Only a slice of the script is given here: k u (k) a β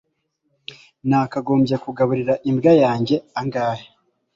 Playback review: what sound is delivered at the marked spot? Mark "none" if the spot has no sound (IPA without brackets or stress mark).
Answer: ɡ